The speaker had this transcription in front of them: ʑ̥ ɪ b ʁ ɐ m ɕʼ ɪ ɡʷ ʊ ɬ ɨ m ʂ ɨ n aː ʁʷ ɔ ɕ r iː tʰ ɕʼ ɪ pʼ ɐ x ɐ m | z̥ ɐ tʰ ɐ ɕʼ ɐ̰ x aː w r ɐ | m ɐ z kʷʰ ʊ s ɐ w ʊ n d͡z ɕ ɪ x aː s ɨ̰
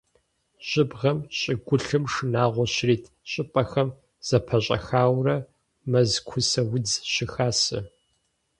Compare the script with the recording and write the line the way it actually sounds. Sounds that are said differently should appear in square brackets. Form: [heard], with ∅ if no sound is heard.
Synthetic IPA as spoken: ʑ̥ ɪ b ʁ ɐ m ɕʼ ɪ ɡʷ ʊ ɬ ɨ m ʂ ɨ n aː ʁʷ ɔ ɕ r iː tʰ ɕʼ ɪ pʼ ɐ x ɐ m | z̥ ɐ [pʰ] ɐ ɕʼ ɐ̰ x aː w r ɐ | m ɐ z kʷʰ ʊ s ɐ w ʊ [∅] d͡z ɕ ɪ x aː s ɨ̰